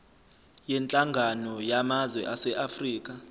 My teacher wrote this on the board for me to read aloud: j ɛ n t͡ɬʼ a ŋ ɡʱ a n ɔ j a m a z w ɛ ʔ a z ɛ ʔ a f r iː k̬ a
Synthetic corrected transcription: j ɛ n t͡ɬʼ a ŋ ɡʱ a n ɔ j a m a z w ɛ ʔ a s ɛ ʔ a f r iː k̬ a